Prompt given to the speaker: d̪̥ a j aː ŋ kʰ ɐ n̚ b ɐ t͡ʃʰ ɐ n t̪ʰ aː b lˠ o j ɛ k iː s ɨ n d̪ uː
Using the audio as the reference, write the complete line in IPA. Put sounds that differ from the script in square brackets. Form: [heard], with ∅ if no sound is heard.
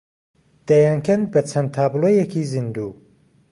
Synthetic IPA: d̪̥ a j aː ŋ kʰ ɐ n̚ b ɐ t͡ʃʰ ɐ n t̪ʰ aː b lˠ o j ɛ k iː [z] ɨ n d̪ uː

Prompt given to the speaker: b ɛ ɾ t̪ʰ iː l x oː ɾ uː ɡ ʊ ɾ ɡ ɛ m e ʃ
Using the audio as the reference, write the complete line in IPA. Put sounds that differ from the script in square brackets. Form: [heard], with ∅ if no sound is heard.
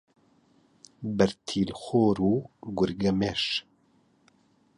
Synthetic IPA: b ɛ ɾ t̪ʰ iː l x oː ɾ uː ɡ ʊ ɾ ɡ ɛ m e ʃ

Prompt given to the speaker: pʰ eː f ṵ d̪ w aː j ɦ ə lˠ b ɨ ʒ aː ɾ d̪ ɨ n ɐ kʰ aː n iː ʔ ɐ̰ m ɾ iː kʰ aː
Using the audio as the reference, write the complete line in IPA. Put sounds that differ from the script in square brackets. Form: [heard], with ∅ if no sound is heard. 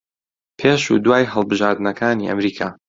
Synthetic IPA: pʰ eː [ʃ] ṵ d̪ w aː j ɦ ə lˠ b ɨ ʒ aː ɾ d̪ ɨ n ɐ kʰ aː n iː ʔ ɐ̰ m ɾ iː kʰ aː

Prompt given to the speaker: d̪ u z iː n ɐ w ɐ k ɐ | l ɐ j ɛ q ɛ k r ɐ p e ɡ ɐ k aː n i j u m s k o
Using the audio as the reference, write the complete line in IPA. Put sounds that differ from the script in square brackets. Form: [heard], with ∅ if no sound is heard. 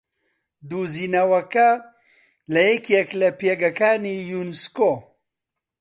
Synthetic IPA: d̪ u z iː n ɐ w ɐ k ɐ | l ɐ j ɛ [k] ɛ k [l] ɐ p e ɡ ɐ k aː n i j u [n] s k o

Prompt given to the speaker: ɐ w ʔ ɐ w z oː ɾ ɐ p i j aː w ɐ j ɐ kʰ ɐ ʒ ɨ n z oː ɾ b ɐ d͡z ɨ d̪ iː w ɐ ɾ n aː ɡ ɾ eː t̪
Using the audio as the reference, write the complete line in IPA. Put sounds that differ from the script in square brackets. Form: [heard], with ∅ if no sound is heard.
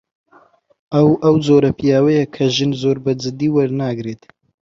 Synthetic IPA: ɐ w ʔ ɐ w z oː ɾ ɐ p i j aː w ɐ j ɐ kʰ ɐ ʒ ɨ n z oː ɾ b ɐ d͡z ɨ d̪ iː w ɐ ɾ n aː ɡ ɾ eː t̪

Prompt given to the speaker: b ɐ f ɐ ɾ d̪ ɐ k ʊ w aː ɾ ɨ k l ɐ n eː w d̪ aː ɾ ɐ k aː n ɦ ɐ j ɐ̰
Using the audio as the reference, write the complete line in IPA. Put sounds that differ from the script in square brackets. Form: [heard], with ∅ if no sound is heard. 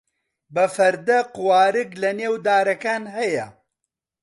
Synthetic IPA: b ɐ f ɐ ɾ d̪ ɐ [q] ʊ w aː ɾ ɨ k l ɐ n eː w d̪ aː ɾ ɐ k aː n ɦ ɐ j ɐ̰

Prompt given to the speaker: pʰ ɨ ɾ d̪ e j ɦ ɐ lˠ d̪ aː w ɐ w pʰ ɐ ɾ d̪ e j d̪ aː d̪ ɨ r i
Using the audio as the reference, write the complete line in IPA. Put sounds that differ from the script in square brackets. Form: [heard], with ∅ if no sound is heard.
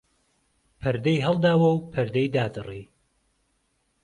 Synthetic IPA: pʰ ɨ ɾ d̪ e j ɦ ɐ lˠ d̪ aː w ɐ w pʰ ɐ ɾ d̪ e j d̪ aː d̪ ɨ r i

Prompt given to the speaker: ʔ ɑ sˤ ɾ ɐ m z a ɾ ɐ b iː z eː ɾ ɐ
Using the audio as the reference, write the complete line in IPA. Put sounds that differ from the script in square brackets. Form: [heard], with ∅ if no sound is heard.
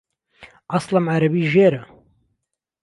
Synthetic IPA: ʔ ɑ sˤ [l] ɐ m [ʕ] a ɾ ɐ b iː [ʒ] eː ɾ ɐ

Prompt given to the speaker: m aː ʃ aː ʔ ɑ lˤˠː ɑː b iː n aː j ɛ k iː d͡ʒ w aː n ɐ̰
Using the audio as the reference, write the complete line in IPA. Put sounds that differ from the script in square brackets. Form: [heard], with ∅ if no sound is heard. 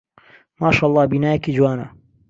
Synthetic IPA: m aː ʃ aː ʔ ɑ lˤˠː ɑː b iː n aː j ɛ k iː d͡ʒ w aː n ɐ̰

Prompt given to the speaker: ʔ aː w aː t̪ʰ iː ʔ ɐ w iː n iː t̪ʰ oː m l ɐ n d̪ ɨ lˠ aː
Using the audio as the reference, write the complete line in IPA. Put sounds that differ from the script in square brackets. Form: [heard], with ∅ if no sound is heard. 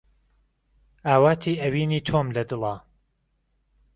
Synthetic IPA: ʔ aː w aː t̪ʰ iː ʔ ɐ w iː n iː t̪ʰ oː m l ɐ [∅] d̪ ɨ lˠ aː

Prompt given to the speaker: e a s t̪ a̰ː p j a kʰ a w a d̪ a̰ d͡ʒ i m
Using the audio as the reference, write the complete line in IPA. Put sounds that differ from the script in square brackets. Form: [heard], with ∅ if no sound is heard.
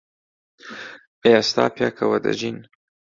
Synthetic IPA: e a s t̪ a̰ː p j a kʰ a w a d̪ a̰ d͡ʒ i [n]

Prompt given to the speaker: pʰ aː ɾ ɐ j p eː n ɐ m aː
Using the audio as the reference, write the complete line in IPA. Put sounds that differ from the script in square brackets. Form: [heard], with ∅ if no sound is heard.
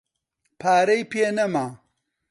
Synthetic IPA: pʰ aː ɾ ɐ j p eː n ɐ m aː

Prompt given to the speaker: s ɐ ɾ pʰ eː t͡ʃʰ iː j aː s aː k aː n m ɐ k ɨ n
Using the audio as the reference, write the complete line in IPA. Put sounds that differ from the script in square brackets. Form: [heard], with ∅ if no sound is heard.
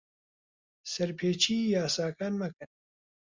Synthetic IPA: s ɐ ɾ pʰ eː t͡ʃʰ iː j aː s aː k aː n m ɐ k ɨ n

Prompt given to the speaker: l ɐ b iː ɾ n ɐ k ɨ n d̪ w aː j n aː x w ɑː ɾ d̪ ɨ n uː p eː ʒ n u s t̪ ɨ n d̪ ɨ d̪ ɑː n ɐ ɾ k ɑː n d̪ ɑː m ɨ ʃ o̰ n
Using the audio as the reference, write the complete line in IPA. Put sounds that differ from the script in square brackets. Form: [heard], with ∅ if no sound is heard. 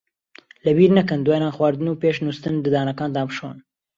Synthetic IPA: l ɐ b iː ɾ n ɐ k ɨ n d̪ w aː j n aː x w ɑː ɾ d̪ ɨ n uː p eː [ʃ] n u s t̪ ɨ n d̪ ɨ d̪ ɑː n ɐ [∅] k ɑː n d̪ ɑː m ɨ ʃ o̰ n

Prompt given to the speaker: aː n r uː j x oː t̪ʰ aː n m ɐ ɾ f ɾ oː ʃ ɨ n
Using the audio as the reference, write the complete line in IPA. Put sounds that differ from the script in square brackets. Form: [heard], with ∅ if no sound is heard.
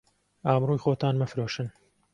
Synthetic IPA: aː [m] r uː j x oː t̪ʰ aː n m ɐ [∅] f ɾ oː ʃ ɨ n

